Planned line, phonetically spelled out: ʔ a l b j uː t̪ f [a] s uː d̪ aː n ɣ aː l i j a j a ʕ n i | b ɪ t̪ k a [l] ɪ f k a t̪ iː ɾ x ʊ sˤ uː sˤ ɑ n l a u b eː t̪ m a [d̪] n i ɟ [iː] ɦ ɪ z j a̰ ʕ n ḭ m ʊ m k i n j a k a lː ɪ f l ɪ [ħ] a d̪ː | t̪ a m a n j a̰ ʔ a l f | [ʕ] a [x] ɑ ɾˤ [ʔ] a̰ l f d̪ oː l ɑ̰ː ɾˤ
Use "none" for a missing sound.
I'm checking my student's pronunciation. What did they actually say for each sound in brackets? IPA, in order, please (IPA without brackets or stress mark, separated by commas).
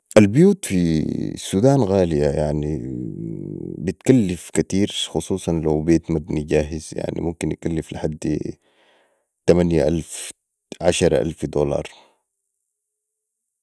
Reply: i, lː, d̪, aː, ħ, ʕ, ʃ, ʔ